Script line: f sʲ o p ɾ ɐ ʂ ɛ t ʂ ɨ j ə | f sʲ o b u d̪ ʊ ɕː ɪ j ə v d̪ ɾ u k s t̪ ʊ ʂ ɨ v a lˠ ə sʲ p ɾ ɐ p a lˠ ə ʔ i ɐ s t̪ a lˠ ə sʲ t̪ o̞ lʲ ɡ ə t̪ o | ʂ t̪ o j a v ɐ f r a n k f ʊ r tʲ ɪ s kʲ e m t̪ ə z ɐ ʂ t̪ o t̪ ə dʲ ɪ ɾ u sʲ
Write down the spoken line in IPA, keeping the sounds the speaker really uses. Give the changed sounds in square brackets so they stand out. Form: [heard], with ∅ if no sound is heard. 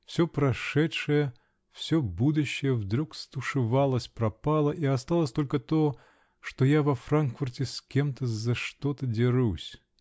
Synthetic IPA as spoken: f sʲ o p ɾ ɐ ʂ ɛ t ʂ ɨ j ə | f sʲ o b u d̪ ʊ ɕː ɪ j ə v d̪ ɾ u k s t̪ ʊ ʂ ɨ v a lˠ ə sʲ p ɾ ɐ p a lˠ ə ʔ i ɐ s t̪ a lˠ ə sʲ t̪ o̞ lʲ [k] ə t̪ o | ʂ t̪ o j a v ɐ f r a n k f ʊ r tʲ ɪ s kʲ e m t̪ ə z ɐ ʂ t̪ o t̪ ə dʲ ɪ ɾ u sʲ